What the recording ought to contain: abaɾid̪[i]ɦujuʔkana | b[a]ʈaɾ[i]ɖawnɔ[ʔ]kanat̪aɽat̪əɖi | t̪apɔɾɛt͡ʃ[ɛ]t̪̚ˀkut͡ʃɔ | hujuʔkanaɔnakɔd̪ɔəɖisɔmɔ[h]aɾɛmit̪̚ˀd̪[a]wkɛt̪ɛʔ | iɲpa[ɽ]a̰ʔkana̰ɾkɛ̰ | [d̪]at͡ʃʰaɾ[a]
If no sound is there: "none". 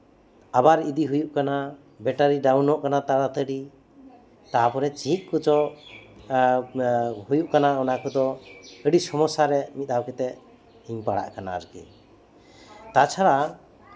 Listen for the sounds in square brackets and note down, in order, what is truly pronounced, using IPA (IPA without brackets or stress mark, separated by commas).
i, ɛ, i, ʔ, i, s, a, ɽ, t̪, a